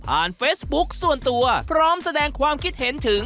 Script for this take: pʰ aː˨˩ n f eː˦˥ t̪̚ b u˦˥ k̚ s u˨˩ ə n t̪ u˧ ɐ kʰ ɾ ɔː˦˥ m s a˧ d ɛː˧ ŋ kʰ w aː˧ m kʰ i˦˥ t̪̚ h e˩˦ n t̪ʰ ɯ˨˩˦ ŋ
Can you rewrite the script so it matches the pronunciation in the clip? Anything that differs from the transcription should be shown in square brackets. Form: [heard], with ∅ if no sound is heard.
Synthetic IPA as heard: pʰ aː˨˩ n f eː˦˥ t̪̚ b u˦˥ k̚ s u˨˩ ə n t̪ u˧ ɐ [pʰ] ɾ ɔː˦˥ m s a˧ d ɛː˧ ŋ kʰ w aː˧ m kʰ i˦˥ t̪̚ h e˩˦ n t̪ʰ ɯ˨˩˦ ŋ